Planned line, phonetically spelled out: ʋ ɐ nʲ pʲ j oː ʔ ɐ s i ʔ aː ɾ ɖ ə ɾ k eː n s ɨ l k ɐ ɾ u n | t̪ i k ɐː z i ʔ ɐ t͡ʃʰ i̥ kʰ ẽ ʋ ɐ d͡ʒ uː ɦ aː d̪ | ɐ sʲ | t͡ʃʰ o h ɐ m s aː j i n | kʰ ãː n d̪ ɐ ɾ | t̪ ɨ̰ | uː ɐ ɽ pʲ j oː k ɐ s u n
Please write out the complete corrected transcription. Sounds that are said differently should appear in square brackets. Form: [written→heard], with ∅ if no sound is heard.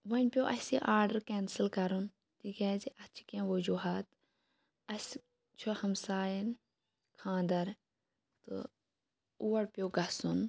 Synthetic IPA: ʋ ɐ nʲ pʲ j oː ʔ ɐ s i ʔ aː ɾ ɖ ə ɾ k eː n s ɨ l k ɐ ɾ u n | t̪ i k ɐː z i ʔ ɐ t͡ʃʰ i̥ [kʰ→k] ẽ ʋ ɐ d͡ʒ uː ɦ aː [d̪→t̪] | ɐ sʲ | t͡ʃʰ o h ɐ m s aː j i n | kʰ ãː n d̪ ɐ ɾ | t̪ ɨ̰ | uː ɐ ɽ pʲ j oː [k→ɡ] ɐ s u n